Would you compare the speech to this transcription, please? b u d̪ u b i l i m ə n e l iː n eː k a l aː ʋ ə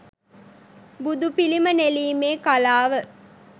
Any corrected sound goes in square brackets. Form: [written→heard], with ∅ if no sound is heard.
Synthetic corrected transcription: b u d̪ u [b→p] i l i m ə n e l iː [n→m] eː k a l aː ʋ ə